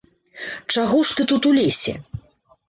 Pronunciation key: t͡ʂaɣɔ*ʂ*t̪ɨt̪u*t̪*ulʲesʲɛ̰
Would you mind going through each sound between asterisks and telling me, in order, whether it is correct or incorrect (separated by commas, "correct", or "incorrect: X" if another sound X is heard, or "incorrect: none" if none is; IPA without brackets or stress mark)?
correct, correct